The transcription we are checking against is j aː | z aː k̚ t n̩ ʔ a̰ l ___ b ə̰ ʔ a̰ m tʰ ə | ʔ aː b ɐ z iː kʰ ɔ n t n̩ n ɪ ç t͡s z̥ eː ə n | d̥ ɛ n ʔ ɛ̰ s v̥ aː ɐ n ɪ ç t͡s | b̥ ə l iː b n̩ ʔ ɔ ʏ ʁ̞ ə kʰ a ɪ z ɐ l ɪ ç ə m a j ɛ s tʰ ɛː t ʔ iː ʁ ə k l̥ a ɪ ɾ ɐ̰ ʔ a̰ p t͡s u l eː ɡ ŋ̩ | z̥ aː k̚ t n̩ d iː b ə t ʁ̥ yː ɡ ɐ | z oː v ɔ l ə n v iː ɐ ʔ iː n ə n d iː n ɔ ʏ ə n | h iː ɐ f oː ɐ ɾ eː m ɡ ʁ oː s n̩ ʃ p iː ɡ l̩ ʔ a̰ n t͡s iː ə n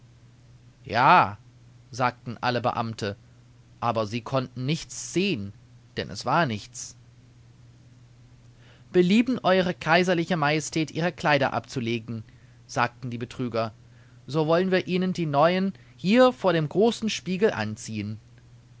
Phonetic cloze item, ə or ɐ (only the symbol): ə